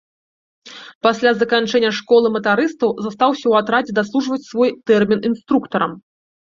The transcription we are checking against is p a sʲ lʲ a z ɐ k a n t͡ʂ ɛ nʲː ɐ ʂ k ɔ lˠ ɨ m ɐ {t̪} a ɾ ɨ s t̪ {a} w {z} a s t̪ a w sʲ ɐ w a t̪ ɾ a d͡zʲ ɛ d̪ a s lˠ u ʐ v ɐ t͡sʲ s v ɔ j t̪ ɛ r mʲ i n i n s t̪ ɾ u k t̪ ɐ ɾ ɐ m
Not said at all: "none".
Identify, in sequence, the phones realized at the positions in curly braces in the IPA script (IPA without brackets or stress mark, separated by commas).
t̪, ɐ, z